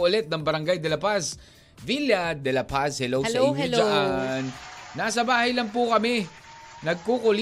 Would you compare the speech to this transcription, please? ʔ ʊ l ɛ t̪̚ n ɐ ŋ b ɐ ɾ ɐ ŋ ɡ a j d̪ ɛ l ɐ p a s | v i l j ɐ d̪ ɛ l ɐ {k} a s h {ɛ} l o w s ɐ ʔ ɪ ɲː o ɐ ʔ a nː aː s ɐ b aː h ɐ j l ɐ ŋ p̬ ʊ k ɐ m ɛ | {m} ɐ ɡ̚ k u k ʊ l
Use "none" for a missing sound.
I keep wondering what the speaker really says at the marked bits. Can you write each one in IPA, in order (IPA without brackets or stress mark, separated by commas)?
p, ɛ, n